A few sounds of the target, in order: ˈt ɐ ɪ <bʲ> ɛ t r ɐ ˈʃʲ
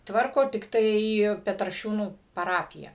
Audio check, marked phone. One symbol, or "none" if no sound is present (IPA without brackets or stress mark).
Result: pʲ